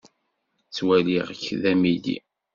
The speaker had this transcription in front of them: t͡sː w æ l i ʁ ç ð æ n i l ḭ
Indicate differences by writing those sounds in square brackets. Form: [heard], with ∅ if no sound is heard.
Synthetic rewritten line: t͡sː w æ l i ʁ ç ð æ [m] i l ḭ